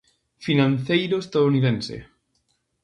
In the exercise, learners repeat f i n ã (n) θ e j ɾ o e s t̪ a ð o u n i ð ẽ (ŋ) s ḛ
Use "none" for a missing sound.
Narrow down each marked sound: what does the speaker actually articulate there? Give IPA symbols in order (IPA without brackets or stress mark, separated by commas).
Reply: n, n